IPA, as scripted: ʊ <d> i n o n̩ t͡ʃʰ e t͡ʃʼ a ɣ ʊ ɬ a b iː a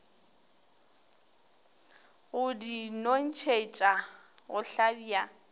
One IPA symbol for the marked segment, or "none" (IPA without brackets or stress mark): d